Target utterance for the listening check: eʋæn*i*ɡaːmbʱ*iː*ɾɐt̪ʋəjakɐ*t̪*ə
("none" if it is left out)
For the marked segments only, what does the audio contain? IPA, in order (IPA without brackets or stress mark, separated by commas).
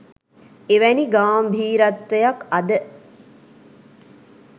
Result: i, iː, d̪